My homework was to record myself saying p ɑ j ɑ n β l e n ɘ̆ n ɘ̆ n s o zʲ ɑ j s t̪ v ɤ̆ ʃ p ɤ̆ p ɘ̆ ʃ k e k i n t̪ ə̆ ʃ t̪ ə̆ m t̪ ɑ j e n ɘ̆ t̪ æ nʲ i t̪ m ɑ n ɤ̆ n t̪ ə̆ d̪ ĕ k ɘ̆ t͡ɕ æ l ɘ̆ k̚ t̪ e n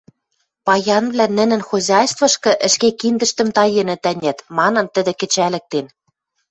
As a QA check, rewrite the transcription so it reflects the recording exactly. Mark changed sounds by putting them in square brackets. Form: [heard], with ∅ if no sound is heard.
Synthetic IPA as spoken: p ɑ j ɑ n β l [æ] n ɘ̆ n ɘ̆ n [x] o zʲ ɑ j s t̪ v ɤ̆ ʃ [k] ɤ̆ [ʔ] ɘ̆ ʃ k e k i n [d̪] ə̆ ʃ t̪ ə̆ m t̪ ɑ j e n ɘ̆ t̪ æ nʲ [æ] t̪ m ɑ n ɤ̆ n t̪ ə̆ d̪ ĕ k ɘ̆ t͡ɕ æ l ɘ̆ k̚ t̪ e n